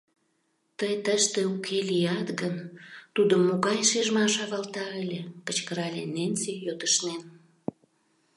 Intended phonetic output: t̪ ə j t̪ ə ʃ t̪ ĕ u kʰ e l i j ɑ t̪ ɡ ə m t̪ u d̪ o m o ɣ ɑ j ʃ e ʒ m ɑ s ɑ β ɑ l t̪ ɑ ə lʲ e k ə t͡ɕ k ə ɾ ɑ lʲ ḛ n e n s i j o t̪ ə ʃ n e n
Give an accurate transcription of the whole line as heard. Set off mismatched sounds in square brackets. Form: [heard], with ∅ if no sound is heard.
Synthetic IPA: t̪ ə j t̪ ə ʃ t̪ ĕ u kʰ e l i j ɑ t̪ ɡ ə [n] t̪ u d̪ o m o ɣ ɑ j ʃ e ʒ m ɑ [ʃ] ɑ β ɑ l t̪ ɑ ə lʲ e k ə t͡ɕ k ə ɾ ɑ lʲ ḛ n e n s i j o t̪ ə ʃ n e n